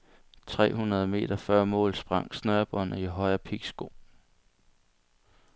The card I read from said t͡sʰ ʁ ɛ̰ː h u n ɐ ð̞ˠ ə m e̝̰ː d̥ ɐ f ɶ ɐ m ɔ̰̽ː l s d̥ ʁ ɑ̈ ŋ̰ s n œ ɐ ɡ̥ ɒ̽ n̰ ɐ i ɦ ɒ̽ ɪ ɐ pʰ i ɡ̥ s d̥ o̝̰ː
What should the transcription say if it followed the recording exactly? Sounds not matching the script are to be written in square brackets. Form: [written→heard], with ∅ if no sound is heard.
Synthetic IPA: t͡sʰ ʁ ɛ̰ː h u n ɐ ð̞ˠ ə m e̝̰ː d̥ ɐ f ɶ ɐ m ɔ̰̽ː l s [d̥→b̥] ʁ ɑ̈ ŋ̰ s n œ ɐ [ɡ̥→b̥] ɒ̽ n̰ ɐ i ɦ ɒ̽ ɪ ɐ pʰ i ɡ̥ s [d̥→ɡ̥] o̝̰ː